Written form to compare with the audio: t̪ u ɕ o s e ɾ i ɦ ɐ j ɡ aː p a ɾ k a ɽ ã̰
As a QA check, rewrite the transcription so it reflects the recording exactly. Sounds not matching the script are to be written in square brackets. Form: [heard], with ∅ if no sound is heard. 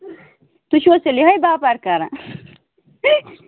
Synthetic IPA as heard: t̪ u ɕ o s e [l] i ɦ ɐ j [b] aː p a ɾ k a [ɾ] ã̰